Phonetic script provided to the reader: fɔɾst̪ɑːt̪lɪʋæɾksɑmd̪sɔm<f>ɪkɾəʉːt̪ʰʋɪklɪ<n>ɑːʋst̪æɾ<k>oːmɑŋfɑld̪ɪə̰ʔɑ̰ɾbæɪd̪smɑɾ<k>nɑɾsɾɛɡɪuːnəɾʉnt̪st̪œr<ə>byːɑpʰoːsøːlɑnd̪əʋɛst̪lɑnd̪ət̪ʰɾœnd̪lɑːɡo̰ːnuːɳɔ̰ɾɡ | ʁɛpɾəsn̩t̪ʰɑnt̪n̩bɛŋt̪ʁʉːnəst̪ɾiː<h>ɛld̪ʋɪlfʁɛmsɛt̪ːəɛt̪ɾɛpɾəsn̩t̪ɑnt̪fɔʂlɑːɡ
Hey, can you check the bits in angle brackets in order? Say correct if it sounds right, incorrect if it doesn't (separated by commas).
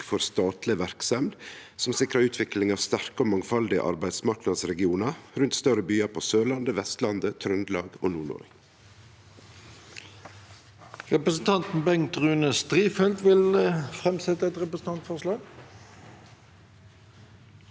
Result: incorrect, incorrect, correct, correct, correct, incorrect